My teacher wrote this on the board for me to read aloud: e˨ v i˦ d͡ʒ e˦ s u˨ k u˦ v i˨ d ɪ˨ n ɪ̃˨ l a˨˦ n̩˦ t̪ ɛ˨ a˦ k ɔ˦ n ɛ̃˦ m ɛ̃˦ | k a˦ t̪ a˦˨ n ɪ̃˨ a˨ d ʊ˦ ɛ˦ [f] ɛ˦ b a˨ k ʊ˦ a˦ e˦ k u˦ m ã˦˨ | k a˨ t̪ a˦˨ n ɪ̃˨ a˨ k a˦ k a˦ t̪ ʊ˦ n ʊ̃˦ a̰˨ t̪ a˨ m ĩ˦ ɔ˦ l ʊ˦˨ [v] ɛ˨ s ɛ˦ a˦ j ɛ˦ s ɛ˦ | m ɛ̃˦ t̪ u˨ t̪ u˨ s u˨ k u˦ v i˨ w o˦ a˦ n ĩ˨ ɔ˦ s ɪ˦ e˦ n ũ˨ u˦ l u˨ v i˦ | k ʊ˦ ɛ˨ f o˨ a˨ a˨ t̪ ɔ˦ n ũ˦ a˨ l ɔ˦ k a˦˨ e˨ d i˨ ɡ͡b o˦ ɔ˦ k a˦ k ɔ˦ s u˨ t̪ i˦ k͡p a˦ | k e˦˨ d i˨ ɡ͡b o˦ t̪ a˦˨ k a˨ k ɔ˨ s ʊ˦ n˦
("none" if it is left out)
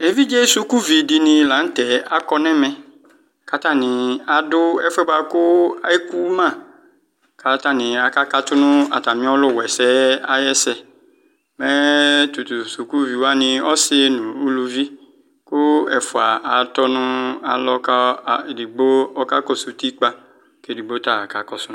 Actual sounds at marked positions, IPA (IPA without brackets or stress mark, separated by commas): f, w